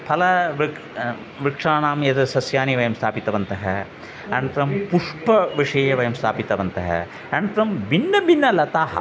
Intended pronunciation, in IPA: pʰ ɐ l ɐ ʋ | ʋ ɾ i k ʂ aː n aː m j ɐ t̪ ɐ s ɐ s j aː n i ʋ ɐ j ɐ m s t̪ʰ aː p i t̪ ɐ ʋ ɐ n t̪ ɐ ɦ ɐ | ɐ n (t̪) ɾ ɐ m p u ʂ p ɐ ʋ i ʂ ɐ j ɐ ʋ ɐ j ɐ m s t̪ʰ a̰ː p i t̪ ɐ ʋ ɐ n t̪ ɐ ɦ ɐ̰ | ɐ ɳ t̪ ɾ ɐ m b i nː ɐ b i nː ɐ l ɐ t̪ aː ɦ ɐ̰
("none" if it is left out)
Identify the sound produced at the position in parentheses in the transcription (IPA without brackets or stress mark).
t̪